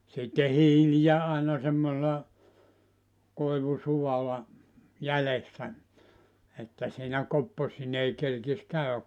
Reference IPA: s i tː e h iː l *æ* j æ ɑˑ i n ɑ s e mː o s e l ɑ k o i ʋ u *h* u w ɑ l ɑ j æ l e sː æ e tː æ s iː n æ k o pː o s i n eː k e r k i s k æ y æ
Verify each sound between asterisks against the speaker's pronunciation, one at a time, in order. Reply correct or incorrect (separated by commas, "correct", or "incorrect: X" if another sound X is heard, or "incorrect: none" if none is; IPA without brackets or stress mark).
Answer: incorrect: i, incorrect: s